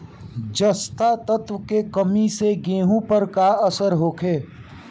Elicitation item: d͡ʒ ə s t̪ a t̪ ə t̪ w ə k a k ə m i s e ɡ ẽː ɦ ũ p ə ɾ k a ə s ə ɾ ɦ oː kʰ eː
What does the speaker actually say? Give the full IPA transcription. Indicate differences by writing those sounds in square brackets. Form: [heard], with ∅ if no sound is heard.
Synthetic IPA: d͡ʒ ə s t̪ a t̪ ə t̪ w ə k [e] k ə m i s e ɡ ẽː ɦ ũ p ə ɾ k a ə s ə ɾ ɦ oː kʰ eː

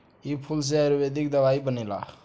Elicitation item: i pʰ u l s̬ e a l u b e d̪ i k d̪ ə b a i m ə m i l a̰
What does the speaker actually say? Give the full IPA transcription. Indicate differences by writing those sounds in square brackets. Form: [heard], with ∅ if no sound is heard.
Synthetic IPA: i pʰ u l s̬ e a [ɾ] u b e d̪ i k d̪ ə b a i [b] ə [n] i l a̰

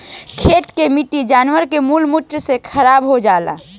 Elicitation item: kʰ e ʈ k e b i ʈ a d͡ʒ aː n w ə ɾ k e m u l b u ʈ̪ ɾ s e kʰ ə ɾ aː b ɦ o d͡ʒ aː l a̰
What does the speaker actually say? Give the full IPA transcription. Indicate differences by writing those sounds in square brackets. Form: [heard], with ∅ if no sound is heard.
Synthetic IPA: kʰ e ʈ k e [m] i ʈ [i] d͡ʒ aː n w ə ɾ k e m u l [m] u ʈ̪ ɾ s e kʰ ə ɾ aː b ɦ o d͡ʒ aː l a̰

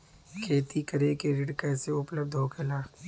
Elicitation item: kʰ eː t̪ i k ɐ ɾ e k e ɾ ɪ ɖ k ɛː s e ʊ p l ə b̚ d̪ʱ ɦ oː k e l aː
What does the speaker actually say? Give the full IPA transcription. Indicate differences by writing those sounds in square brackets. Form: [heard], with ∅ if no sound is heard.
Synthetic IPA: kʰ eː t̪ i k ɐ ɾ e k e ɾ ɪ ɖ k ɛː s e ʊ p l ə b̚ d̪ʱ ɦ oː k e l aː

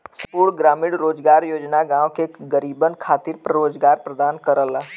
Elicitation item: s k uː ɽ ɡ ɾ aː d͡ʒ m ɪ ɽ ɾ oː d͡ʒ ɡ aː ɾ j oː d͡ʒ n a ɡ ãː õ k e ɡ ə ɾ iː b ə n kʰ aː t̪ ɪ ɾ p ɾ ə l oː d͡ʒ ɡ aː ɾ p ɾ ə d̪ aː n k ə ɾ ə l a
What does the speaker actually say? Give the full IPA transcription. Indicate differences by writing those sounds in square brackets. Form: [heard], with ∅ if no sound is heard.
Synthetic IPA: s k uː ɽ ɡ ɾ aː [∅] m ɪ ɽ ɾ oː d͡ʒ ɡ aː ɾ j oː d͡ʒ n a ɡ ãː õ k e ɡ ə ɾ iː b ə n kʰ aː t̪ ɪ ɾ p ɾ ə [ɾ] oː d͡ʒ ɡ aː ɾ p ɾ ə d̪ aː n k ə ɾ ə l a

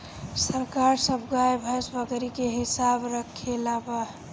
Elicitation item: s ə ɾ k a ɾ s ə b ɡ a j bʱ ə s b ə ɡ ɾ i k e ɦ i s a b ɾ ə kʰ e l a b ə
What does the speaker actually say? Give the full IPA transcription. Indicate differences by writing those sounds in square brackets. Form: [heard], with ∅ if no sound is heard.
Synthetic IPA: s ə ɾ k a ɾ s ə b ɡ a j bʱ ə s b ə ɡ ɾ i k e ɦ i s a b ɾ ə kʰ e l a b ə

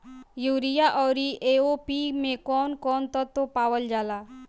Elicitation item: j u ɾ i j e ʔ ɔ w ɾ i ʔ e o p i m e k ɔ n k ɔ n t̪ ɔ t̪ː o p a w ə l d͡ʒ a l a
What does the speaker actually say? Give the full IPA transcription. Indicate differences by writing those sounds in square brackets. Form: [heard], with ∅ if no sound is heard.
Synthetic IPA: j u ɾ i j [a] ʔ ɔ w ɾ i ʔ e o p i m e k ɔ n k ɔ n t̪ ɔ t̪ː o p a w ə l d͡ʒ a l a

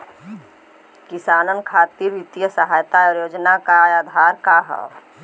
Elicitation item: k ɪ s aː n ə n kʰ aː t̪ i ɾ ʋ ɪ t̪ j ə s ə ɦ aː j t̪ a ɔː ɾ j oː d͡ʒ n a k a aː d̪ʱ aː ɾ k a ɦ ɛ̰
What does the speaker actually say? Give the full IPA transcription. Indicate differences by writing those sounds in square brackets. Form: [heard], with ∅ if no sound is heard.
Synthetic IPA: k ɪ s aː n ə n kʰ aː t̪ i ɾ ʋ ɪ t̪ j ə s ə ɦ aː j t̪ a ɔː ɾ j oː d͡ʒ n a k a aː d̪ʱ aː ɾ k a ɦ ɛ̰

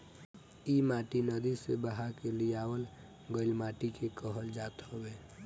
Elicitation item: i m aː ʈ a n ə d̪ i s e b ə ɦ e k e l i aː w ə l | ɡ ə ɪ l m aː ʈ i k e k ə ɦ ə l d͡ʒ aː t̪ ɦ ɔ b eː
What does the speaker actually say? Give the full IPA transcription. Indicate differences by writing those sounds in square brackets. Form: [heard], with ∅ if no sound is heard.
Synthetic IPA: i m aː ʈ [i] n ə d̪ i s e b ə ɦ [a] k e l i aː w ə l | ɡ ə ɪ l m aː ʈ i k e k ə ɦ ə l d͡ʒ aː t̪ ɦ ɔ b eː

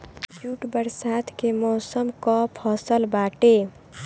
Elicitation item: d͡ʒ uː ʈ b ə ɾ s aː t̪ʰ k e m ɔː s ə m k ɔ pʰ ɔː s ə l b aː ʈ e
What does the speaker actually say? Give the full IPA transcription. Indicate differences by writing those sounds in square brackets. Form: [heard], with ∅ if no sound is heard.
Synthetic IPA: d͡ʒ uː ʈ b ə ɾ s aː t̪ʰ k e m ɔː s ə m k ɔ pʰ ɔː s ə l b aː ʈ e

